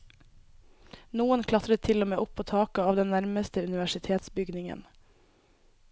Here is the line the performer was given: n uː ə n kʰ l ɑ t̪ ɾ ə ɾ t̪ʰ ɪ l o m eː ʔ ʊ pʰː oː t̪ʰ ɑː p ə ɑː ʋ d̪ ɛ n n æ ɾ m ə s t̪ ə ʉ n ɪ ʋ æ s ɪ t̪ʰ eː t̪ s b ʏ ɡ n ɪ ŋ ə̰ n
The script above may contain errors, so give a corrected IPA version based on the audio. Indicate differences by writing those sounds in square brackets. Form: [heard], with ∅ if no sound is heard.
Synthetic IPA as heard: n uː ə n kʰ l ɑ t̪ ɾ ə [∅] t̪ʰ ɪ l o m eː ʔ ʊ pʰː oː t̪ʰ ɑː [k] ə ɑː ʋ d̪ ɛ n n æ ɾ m ə s t̪ ə ʉ n ɪ ʋ æ [ʃ] ɪ t̪ʰ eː t̪ s b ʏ ɡ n ɪ ŋ ə̰ n